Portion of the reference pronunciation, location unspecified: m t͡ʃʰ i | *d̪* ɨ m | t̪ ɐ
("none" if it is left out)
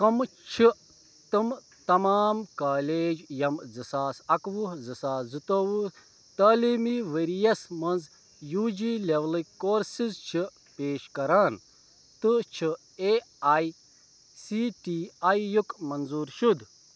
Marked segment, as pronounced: t̪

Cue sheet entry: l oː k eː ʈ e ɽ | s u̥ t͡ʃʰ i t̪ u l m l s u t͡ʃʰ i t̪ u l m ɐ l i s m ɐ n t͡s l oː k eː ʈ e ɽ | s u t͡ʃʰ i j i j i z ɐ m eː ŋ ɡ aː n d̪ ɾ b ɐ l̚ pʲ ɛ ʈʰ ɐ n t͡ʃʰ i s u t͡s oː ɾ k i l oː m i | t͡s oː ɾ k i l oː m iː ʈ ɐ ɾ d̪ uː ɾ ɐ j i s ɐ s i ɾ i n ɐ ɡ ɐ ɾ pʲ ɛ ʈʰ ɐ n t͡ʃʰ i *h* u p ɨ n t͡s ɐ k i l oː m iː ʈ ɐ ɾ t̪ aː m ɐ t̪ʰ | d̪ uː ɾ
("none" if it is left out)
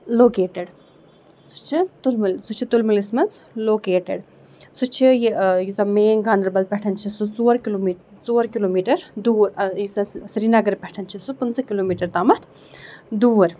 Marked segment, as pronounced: s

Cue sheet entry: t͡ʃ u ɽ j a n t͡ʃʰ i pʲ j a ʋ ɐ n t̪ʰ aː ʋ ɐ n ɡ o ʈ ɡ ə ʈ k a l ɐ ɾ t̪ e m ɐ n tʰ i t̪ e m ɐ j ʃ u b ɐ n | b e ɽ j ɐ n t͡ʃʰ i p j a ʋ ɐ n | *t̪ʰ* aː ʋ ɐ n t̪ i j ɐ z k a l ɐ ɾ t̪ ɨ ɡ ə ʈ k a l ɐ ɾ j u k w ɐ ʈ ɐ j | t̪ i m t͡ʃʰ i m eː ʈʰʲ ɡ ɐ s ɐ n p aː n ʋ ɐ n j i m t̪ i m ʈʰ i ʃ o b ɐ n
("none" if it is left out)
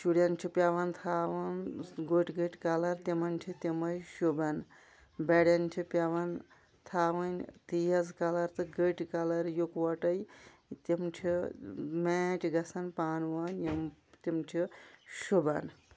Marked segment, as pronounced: t̪ʰ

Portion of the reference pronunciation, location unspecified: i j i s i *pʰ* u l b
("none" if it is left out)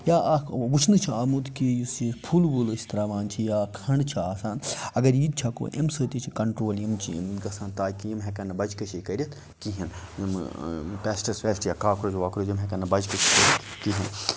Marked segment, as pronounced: pʰ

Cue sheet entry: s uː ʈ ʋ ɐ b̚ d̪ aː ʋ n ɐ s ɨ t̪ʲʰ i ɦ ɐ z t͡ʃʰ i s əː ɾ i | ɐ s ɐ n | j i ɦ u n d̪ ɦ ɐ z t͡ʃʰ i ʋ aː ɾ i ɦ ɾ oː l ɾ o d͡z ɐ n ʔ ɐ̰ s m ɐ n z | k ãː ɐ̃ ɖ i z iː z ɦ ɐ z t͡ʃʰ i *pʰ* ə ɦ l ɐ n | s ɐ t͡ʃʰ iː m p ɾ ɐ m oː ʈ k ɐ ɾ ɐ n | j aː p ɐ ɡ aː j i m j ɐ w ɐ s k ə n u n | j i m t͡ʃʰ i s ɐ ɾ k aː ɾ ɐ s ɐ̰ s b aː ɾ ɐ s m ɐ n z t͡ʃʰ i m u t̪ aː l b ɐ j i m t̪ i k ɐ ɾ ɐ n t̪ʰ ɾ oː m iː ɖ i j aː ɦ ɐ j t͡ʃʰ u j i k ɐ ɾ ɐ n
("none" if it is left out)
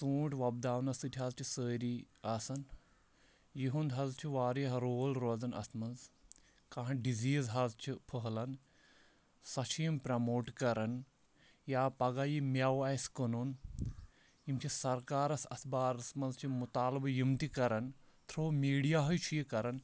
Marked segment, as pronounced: pʰ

